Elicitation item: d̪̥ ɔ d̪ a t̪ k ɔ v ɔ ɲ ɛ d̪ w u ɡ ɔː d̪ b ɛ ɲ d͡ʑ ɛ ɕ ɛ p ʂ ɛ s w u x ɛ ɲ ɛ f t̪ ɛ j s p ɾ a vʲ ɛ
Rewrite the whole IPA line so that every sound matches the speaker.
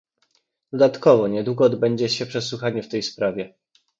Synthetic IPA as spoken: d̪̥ ɔ d̪ a t̪ k ɔ v ɔ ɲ ɛ d̪ w u ɡ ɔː d̪ b ɛ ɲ d͡ʑ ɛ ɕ ɛ p ʂ ɛ s w u x a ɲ ɛ f t̪ ɛ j s p ɾ a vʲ ɛ